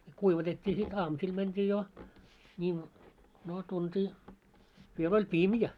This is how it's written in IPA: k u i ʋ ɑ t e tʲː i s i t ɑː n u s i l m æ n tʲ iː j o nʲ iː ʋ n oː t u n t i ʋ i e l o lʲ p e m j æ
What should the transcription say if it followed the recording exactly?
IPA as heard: k u i ʋ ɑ t e tʲː iː s i t ɑː m u s i l m æ n tʲ iː j o nʲ iː ʋ n oː t u n t iː ʋ i e l o lʲ p i m j æ

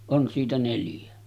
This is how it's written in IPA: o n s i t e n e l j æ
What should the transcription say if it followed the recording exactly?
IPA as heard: o n s iː t æ n e l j æ

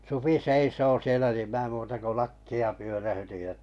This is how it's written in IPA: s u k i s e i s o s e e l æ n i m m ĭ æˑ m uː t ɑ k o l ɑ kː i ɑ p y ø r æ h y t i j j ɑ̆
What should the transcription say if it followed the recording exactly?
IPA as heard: s u p i s e i s oː s i e l æ n i m m ĭ æˑ m uː t ɑ k o l ɑ kː i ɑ p y ø r æ h y t i j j ɑ̆

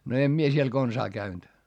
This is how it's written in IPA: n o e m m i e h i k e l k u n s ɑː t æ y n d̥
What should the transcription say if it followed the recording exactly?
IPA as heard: n o e m m i e s i e l k o n s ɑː k æ y n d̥

